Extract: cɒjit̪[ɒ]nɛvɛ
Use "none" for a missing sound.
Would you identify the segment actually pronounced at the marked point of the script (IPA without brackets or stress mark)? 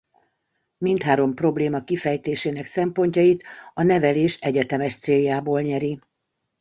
ɒ